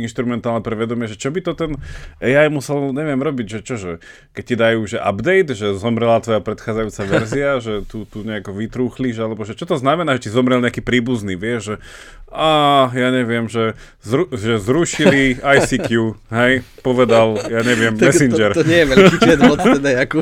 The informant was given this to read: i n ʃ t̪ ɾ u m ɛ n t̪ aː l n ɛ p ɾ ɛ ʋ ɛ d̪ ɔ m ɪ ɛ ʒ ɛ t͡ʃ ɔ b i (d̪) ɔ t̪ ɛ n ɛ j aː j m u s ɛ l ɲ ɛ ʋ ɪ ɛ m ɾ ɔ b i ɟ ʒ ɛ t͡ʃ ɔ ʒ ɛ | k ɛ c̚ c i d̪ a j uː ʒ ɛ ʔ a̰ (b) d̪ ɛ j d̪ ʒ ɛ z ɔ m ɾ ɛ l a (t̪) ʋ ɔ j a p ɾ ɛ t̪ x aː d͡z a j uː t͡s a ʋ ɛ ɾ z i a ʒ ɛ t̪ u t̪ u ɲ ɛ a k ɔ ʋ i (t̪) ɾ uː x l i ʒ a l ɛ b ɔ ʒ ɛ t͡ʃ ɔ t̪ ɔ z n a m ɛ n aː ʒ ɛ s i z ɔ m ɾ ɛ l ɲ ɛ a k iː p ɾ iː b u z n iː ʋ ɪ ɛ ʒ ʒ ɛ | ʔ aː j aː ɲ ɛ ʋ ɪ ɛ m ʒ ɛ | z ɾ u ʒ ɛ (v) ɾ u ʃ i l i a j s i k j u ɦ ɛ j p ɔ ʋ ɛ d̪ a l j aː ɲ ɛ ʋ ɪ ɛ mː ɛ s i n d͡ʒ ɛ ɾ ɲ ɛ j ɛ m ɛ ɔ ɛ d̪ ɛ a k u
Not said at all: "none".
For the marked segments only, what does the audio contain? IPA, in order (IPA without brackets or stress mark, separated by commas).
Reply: t̪, b, t̪, t̪, z